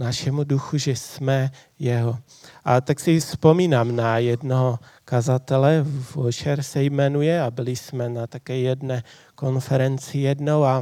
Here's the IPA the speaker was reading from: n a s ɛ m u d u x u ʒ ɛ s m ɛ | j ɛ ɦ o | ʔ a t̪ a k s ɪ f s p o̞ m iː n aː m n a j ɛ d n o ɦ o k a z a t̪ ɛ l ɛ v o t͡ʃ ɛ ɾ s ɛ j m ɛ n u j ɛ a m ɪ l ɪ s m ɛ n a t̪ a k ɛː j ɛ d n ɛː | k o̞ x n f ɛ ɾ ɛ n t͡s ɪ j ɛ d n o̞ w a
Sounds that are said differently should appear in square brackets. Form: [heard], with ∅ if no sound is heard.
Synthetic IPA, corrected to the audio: n a [ʃ] ɛ m u d u x u ʒ ɛ s m ɛ | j ɛ ɦ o | ʔ a t̪ a k s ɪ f s p o̞ m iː n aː m n a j ɛ d n o ɦ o k a z a t̪ ɛ l ɛ v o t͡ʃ ɛ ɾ s ɛ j m ɛ n u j ɛ a [b] ɪ l ɪ s m ɛ n a t̪ a k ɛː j ɛ d n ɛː | k o̞ [∅] n f ɛ ɾ ɛ n t͡s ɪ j ɛ d n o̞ w a